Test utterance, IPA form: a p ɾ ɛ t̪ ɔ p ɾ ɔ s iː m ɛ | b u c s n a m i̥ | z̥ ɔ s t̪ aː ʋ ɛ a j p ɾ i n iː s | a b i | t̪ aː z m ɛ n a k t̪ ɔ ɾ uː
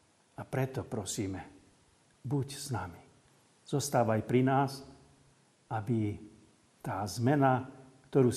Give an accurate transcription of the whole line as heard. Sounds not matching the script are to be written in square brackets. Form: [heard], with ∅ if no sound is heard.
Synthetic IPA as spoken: a p ɾ ɛ t̪ ɔ p ɾ ɔ s iː m ɛ | b u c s n a m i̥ | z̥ ɔ s t̪ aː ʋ [a] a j p ɾ i n [aː] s | a b i | t̪ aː z m ɛ n a k t̪ ɔ ɾ uː